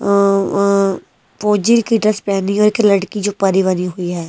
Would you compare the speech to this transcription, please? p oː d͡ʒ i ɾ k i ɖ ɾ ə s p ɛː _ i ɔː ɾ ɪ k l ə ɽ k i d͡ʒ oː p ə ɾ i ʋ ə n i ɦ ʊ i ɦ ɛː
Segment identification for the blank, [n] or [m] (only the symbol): n